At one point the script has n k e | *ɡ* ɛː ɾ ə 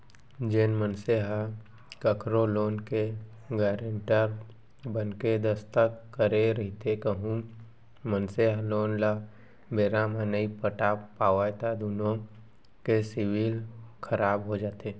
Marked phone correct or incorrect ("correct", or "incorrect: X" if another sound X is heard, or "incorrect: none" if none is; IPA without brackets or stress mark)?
correct